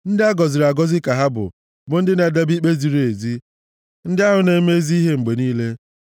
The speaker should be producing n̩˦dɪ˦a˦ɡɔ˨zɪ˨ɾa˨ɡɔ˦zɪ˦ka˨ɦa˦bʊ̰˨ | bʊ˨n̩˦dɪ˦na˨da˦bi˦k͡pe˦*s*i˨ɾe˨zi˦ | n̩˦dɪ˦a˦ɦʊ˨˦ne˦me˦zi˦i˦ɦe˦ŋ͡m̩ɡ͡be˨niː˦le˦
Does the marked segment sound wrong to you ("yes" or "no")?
yes